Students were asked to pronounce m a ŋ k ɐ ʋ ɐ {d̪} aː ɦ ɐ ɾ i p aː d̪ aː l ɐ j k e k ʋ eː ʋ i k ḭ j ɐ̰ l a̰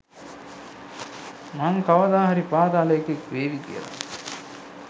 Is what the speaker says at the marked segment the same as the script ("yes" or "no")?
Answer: yes